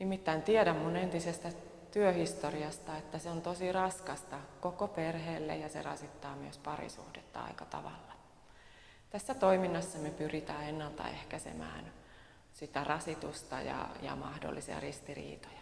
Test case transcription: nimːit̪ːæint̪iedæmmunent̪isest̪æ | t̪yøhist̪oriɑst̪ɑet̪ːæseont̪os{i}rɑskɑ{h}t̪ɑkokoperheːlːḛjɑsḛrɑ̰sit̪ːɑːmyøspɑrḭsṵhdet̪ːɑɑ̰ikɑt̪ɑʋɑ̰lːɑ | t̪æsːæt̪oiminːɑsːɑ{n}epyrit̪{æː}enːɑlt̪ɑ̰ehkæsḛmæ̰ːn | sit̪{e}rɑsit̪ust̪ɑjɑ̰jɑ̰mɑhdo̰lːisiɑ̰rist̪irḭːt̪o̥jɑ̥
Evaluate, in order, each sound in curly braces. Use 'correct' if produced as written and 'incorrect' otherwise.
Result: correct, incorrect, incorrect, correct, incorrect

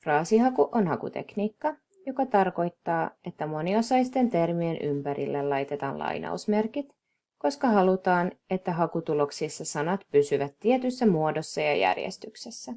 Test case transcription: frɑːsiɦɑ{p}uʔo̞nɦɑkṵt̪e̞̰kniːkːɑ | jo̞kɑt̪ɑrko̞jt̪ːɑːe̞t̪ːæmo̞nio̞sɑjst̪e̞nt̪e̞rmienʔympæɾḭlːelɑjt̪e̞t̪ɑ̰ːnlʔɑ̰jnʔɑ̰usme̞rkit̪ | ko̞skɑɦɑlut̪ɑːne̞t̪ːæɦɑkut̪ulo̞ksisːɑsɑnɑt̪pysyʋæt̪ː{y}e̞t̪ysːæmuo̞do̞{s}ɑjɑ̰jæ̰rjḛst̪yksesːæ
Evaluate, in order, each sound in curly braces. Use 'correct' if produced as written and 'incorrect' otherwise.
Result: incorrect, incorrect, incorrect

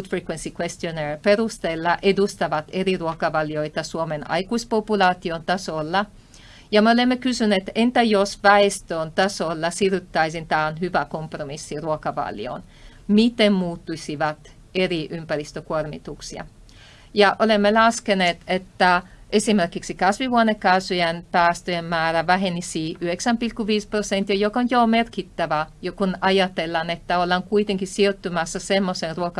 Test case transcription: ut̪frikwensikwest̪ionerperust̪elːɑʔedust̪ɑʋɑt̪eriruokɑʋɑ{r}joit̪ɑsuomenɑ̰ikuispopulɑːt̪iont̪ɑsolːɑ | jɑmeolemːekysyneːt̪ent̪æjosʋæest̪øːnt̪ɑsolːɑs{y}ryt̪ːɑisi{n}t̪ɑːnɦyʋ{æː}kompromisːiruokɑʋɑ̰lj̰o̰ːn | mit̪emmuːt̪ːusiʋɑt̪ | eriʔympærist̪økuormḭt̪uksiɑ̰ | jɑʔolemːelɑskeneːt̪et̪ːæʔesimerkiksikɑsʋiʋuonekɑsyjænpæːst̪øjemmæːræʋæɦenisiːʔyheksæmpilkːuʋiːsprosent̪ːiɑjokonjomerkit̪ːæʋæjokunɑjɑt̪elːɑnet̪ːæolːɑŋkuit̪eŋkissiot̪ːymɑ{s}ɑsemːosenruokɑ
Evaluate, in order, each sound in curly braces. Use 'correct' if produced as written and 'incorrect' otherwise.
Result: incorrect, incorrect, correct, incorrect, incorrect

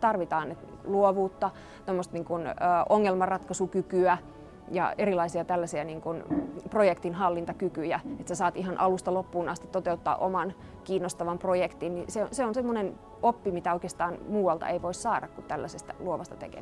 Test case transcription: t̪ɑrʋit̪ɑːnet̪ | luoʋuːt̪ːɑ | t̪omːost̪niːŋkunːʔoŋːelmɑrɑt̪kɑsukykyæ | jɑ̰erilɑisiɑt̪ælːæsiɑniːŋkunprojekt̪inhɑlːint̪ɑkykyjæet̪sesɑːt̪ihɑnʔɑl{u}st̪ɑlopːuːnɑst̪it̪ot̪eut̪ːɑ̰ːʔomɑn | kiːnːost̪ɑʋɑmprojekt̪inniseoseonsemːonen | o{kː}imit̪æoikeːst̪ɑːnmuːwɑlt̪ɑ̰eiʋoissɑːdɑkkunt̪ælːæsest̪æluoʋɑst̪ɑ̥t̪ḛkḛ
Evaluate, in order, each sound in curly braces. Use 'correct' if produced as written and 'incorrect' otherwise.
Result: correct, incorrect

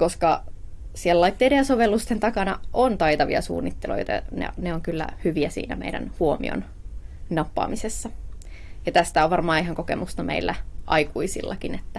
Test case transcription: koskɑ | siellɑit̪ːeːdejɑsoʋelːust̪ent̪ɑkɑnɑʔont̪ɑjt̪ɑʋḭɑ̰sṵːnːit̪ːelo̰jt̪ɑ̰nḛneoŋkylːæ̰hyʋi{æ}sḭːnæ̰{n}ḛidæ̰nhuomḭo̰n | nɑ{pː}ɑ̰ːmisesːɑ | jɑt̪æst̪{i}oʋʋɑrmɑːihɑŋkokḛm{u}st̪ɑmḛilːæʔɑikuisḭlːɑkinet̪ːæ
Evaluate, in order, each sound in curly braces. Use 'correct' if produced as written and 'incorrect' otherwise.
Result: correct, incorrect, correct, incorrect, correct

